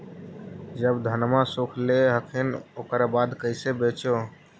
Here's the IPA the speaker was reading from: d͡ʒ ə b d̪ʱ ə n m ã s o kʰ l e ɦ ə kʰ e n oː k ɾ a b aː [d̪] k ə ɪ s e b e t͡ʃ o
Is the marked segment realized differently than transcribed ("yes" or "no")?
no